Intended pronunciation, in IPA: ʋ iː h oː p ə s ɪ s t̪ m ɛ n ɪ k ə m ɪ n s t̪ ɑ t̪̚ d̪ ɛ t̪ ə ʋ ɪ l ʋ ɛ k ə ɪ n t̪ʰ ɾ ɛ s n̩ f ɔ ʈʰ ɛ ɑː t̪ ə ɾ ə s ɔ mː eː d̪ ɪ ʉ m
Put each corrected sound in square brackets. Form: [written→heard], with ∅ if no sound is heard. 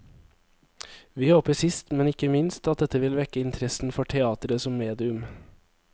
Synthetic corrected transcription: ʋ iː h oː p ə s ɪ s t̪ m ɛ n ɪ k ə m ɪ n s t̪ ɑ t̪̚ d̪ ɛ t̪ ə ʋ ɪ l ʋ ɛ k ə ɪ n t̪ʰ ɾ ɛ s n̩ f ɔ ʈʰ ɛ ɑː t̪ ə ɾ ə s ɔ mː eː d̪ ɪ ʉ m